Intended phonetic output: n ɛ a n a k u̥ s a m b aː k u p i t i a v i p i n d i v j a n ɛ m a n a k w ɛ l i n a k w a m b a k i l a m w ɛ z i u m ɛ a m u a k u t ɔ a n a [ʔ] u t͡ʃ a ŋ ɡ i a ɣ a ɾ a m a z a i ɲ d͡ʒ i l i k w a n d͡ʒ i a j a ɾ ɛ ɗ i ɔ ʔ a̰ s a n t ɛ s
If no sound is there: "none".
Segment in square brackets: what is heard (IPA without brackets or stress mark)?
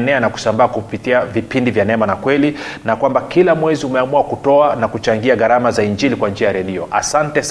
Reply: k